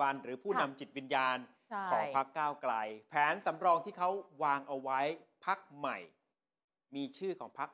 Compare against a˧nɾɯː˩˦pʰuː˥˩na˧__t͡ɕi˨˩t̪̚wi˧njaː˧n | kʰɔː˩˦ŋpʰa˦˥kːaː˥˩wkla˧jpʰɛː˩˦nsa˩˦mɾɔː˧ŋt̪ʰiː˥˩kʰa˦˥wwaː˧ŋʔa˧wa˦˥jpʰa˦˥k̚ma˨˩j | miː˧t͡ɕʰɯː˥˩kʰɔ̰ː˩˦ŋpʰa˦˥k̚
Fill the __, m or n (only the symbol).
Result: m